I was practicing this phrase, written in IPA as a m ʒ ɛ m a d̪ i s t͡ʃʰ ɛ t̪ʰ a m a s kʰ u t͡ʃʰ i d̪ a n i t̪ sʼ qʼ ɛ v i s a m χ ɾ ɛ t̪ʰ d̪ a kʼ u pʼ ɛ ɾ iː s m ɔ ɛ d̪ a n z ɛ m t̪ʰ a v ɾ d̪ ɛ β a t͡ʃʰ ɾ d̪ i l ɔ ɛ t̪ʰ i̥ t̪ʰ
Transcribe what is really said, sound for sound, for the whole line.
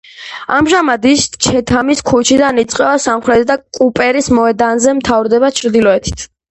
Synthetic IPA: a m ʒ a m a d̪ i s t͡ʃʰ ɛ t̪ʰ a m i s kʰ u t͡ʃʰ i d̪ a n i t̪ sʼ qʼ ɛ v a s a m χ ɾ ɛ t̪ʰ d̪ a kʼ u pʼ ɛ ɾ i s m ɔ ɛ d̪ a n z ɛ m t̪ʰ a v ɾ d̪ ɛ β a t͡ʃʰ ɾ d̪ i l ɔ ɛ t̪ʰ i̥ t̪ʰ